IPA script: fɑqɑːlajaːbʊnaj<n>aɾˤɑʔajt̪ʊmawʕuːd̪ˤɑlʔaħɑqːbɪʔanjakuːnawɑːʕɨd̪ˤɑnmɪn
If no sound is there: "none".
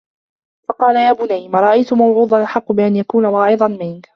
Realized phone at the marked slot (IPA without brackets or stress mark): m